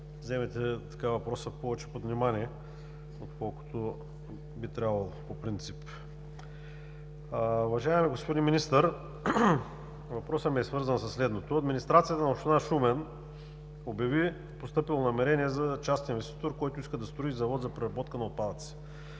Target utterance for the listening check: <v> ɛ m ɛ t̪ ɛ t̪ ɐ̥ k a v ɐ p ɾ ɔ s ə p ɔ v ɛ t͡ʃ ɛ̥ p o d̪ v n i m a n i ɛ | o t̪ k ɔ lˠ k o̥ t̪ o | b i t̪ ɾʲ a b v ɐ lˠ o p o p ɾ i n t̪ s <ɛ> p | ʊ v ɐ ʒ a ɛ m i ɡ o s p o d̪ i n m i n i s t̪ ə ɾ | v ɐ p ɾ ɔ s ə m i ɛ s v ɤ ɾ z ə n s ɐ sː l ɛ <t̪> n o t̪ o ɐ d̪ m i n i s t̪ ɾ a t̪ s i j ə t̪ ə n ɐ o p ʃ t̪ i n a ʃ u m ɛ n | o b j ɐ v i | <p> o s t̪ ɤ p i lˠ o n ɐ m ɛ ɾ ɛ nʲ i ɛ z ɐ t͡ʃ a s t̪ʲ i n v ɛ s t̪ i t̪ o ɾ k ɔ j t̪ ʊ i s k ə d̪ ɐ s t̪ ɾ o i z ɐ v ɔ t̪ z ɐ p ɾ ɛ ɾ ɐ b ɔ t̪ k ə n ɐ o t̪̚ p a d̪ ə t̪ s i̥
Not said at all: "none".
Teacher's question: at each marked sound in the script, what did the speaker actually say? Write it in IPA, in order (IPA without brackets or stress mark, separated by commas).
z, i, d̪, p